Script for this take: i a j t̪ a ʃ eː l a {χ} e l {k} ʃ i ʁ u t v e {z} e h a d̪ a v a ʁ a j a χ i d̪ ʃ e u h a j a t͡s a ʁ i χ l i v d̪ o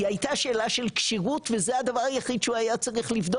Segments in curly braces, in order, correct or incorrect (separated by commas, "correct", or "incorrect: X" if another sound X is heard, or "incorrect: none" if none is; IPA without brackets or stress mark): incorrect: ʃ, correct, correct